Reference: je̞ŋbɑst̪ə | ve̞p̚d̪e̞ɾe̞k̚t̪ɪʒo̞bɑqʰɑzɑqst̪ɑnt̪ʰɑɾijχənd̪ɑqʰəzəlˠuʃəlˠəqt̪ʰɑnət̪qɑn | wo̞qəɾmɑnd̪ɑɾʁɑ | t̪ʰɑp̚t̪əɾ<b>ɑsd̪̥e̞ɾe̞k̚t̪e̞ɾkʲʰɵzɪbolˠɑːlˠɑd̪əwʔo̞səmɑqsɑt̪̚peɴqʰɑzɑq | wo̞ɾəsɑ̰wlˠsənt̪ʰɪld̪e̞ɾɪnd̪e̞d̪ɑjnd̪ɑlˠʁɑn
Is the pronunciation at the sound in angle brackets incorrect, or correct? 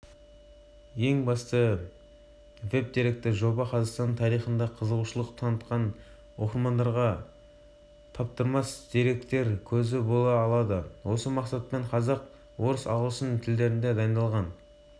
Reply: incorrect